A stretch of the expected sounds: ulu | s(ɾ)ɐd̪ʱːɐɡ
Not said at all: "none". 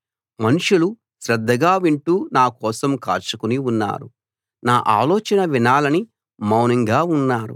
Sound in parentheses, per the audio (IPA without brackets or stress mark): ɾ